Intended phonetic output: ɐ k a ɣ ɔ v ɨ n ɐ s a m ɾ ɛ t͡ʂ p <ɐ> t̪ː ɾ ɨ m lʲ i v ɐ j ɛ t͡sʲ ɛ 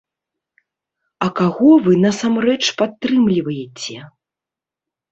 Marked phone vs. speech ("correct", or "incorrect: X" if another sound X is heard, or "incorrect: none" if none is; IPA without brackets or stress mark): incorrect: a